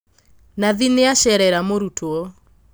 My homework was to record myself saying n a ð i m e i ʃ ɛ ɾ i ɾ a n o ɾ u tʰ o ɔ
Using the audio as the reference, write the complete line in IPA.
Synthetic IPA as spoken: n a ð i n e a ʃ ɛ ɾ ɛ ɾ a m o ɾ u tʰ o ɔ